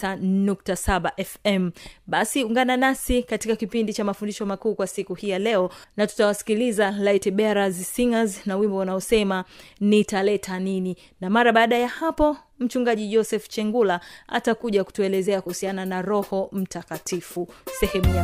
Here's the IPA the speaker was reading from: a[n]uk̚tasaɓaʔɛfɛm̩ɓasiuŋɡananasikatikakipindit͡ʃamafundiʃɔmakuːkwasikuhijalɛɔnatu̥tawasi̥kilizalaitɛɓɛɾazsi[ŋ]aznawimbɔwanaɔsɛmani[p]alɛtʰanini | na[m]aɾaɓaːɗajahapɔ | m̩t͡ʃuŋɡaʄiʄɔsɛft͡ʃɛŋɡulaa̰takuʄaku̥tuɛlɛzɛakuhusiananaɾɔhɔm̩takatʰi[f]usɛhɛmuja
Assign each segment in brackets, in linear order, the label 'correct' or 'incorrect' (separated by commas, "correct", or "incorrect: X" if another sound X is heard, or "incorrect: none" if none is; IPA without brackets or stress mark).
correct, correct, incorrect: t, correct, correct